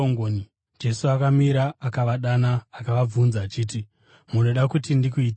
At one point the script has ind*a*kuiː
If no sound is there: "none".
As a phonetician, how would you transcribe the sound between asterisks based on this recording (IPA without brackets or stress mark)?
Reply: i